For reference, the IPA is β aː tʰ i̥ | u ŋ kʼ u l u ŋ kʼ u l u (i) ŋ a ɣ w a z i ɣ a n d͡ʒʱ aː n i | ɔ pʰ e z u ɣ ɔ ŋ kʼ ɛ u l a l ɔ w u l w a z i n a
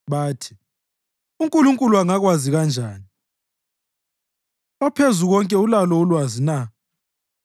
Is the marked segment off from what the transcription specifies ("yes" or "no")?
yes